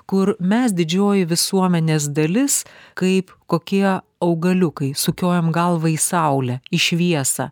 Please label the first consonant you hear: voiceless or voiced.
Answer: voiceless